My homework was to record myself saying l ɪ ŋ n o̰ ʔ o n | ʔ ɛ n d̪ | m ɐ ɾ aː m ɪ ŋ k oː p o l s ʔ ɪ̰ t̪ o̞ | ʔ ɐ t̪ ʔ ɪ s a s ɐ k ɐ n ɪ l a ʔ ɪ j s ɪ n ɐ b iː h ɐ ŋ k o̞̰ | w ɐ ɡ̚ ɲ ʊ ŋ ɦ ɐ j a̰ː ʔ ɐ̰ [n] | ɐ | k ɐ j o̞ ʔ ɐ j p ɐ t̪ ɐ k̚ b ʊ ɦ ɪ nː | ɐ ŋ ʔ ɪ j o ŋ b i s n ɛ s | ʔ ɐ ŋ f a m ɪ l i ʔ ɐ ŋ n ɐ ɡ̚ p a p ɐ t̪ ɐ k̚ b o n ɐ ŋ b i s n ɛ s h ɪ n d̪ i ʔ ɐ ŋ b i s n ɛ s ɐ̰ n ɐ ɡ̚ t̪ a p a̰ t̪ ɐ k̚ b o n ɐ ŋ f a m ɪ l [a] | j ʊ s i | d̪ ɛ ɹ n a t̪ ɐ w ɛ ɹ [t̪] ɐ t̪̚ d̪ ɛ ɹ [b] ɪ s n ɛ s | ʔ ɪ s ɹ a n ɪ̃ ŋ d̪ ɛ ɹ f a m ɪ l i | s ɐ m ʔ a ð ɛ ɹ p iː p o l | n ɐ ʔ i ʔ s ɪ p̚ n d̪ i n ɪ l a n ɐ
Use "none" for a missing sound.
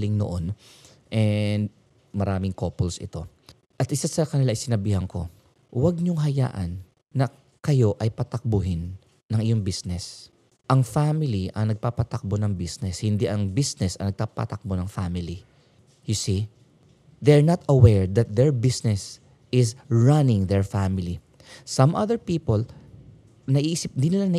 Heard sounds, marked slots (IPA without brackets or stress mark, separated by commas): nː, i, d̪, b